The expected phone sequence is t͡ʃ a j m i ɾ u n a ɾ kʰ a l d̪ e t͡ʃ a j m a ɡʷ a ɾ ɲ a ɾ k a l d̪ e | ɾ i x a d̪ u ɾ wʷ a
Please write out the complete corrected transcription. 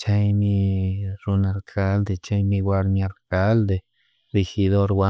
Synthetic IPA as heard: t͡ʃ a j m i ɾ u n a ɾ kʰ a l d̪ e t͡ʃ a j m i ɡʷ a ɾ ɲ a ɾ k a l d̪ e | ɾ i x i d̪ o ɾ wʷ a